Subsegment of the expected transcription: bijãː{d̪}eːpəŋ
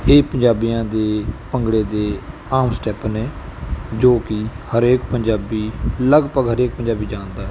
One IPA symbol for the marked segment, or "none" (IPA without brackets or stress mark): d̪